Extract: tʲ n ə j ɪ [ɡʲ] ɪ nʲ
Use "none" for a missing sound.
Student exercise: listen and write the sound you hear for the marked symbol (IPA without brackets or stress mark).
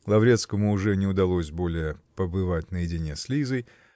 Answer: dʲ